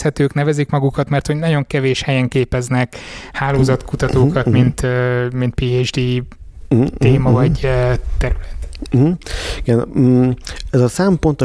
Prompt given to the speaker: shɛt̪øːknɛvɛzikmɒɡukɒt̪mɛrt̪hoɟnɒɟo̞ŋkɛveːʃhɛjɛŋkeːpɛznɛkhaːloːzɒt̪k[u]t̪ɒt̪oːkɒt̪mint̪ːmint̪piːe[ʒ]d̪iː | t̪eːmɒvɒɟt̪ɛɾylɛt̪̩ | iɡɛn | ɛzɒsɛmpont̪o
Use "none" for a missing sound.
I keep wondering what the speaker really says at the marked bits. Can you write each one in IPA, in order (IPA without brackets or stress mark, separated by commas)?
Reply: u, d͡ʒ